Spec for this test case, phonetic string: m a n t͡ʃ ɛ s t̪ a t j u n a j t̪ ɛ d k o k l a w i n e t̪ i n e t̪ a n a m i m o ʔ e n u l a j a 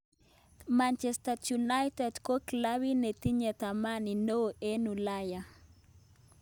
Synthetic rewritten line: m a n t͡ʃ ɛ s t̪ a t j u n a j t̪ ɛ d k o k l a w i n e t̪ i ɲ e t̪ a m a n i n o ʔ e n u l a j a